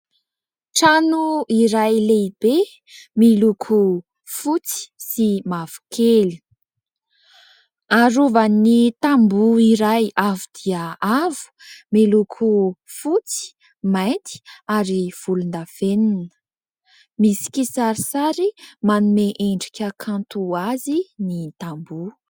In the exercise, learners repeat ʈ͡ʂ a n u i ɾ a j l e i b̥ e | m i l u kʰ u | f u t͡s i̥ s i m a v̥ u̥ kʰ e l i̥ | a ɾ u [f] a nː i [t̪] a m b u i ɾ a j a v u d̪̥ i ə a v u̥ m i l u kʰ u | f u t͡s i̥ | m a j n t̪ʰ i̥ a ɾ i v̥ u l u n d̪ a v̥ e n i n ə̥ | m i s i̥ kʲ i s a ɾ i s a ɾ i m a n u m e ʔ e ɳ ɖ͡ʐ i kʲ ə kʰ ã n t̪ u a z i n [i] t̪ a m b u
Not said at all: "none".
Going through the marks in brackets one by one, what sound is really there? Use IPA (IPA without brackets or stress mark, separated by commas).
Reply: v, t̪, i